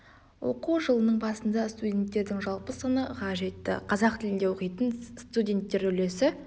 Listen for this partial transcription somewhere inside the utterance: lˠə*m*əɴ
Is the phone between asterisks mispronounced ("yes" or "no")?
yes